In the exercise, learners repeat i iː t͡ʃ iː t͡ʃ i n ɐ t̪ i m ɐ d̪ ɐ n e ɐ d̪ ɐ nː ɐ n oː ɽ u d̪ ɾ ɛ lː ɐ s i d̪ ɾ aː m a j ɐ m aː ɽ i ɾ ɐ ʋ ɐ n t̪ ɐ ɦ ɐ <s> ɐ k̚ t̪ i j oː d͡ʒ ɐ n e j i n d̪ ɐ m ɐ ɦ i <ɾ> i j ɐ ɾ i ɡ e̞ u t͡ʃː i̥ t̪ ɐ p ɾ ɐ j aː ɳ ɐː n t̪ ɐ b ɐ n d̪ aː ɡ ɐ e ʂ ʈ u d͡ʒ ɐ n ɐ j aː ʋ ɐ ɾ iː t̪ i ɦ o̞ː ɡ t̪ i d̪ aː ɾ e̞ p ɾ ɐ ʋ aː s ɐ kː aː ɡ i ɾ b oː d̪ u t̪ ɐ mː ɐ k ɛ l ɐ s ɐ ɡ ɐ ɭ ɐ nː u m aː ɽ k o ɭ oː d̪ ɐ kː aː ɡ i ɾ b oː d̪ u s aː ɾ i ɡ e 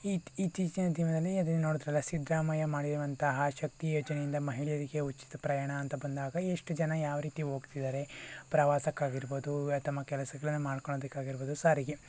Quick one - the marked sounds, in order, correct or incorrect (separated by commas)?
incorrect, incorrect